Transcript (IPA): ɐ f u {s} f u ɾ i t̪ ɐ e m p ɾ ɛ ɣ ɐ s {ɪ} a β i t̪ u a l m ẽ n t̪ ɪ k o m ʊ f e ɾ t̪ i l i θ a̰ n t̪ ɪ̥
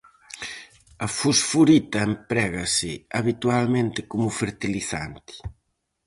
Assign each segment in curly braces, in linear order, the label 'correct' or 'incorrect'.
correct, correct

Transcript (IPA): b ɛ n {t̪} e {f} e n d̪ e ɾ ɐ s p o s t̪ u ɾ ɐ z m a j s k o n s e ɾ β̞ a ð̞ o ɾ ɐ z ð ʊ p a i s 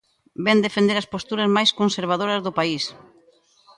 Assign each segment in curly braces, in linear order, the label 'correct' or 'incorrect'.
incorrect, correct

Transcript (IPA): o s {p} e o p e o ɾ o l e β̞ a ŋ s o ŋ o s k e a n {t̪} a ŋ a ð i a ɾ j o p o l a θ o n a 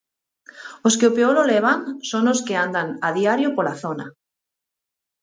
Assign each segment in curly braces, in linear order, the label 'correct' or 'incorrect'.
incorrect, incorrect

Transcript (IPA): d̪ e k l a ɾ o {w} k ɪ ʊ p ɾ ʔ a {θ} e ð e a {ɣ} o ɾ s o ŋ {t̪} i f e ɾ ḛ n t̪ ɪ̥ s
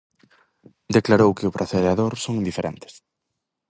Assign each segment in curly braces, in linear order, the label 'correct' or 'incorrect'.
correct, correct, incorrect, incorrect

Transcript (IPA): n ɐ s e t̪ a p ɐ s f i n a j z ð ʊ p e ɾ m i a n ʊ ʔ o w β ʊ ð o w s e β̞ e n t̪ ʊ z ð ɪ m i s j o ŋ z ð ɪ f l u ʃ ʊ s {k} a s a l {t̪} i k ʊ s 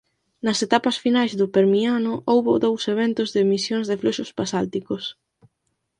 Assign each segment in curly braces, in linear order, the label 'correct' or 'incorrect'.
incorrect, correct

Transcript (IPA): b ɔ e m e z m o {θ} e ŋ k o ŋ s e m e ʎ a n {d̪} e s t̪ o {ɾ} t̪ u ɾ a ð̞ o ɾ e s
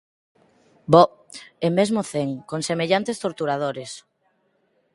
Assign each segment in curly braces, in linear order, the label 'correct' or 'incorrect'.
correct, incorrect, correct

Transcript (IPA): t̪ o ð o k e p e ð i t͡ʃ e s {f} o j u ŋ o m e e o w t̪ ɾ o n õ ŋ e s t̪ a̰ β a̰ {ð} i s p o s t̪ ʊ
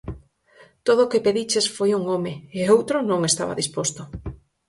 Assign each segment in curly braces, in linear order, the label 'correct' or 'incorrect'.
correct, correct

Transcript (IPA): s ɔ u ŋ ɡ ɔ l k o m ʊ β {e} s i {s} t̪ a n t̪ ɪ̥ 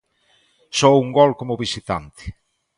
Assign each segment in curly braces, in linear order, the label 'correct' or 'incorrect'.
incorrect, incorrect

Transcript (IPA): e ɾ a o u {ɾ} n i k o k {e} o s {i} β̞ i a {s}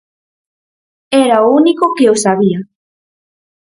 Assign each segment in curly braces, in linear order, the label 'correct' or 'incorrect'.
incorrect, correct, incorrect, incorrect

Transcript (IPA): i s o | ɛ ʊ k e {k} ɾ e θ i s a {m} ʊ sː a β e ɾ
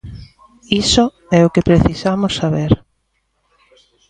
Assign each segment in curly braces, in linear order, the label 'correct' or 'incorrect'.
incorrect, correct

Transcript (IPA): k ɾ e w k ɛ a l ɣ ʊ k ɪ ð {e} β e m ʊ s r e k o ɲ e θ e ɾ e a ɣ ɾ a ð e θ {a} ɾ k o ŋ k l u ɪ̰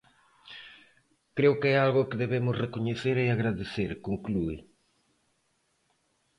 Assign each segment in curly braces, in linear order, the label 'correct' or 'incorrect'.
correct, incorrect

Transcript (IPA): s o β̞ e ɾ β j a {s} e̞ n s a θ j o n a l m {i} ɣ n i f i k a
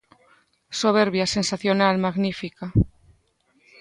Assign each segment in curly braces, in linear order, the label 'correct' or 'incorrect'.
correct, incorrect

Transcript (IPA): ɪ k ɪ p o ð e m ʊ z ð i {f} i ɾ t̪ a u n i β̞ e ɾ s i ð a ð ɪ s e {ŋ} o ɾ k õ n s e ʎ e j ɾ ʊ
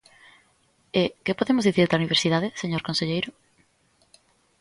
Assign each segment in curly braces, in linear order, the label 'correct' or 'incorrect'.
incorrect, incorrect

